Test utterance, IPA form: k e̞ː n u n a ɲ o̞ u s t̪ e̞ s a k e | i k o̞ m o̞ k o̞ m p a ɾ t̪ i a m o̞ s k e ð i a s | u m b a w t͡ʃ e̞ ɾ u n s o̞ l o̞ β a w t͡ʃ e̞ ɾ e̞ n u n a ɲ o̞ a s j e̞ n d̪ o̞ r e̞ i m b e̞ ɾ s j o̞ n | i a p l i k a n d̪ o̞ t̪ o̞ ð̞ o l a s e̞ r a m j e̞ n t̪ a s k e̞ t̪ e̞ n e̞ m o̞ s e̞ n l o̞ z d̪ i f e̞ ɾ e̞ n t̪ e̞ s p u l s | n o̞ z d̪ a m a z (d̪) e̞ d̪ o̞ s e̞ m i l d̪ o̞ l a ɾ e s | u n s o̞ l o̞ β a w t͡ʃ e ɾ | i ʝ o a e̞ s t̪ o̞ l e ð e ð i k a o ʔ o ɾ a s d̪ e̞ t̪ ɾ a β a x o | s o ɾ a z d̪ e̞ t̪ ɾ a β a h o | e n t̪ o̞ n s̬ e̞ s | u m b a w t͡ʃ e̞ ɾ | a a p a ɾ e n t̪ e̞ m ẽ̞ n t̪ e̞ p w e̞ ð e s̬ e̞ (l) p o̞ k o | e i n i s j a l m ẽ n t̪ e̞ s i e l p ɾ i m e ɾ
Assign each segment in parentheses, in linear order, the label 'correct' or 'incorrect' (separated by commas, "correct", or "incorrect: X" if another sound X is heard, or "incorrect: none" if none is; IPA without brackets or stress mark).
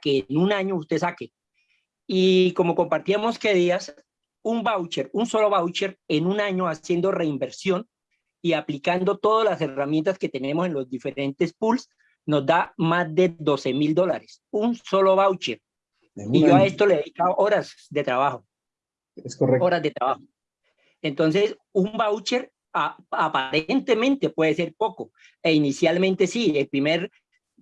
correct, incorrect: ɾ